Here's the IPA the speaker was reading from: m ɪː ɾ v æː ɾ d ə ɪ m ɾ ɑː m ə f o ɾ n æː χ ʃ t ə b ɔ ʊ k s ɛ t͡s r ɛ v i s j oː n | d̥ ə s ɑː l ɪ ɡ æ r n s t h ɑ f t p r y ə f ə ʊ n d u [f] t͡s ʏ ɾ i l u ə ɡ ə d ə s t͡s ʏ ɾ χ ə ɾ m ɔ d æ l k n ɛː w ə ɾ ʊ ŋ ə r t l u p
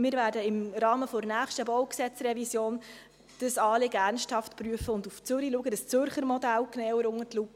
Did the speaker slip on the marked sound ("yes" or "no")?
no